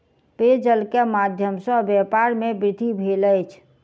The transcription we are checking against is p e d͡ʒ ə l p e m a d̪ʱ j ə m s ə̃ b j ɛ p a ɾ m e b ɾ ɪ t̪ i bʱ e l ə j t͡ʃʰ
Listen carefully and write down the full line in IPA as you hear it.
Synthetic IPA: p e d͡ʒ ə l k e m a d̪ʱ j ə m s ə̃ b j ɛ p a ɾ m e b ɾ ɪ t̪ i bʱ e l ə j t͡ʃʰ